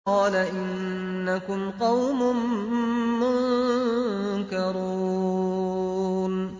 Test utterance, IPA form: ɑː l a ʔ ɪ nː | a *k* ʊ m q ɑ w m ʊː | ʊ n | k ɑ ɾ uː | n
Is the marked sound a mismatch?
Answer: no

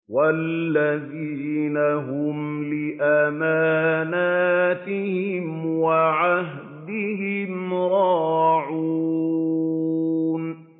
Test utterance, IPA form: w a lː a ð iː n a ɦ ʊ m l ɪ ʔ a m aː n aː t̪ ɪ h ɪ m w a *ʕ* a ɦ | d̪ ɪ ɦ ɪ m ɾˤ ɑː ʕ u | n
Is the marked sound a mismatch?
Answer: no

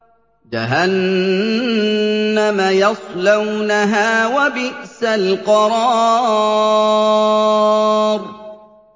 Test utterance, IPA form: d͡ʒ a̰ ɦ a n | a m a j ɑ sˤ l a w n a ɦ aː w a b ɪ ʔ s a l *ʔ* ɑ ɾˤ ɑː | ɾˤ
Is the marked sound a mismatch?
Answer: yes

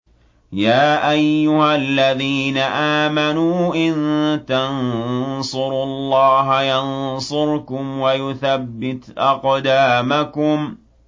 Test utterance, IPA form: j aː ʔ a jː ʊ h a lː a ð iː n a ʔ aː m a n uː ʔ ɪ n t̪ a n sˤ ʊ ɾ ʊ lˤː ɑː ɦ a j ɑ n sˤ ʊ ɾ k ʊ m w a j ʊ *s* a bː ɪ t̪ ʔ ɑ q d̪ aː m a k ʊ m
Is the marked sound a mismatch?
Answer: yes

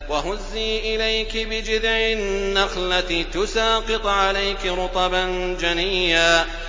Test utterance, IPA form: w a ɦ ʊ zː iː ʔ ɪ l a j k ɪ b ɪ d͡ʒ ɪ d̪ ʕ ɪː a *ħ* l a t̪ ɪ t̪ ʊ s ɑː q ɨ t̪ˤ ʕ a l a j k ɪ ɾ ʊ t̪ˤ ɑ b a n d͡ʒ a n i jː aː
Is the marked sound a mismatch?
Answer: yes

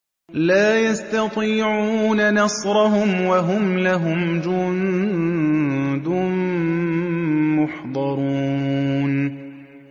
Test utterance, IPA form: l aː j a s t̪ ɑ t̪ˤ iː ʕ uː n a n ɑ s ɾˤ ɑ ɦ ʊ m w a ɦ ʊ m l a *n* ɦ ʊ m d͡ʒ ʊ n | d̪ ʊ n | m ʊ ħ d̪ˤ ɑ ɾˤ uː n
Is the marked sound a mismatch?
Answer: yes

